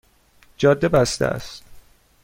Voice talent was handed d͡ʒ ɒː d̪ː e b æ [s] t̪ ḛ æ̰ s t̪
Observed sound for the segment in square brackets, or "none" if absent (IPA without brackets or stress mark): s